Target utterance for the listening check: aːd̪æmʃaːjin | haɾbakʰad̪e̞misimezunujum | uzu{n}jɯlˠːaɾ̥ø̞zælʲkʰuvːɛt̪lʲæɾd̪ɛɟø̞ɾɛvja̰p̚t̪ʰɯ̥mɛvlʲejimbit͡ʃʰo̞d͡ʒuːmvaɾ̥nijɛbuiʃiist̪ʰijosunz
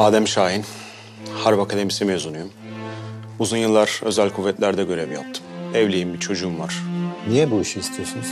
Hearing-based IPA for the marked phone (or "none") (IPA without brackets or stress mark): n